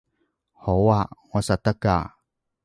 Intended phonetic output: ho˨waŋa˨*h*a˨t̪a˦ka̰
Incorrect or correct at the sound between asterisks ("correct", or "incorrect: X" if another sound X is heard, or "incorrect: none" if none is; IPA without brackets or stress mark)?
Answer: incorrect: s